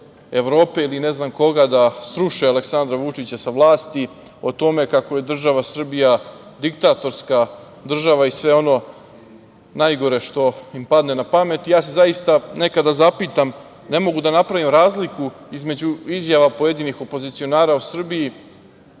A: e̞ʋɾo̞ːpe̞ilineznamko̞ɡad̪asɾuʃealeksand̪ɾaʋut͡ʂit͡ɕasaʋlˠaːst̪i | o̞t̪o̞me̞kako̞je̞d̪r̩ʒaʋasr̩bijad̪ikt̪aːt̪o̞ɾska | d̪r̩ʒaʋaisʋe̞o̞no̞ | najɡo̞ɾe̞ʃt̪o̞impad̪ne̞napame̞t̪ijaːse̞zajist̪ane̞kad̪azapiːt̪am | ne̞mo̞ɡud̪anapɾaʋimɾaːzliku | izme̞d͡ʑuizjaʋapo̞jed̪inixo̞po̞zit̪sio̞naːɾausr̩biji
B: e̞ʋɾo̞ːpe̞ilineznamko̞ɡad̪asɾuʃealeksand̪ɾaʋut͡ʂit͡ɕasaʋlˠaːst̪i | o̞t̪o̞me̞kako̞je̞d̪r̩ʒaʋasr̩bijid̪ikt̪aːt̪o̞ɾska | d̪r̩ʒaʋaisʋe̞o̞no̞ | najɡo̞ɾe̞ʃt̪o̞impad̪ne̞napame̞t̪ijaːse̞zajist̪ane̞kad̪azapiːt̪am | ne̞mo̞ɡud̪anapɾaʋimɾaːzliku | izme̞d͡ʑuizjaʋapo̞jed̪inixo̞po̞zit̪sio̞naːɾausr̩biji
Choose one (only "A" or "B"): A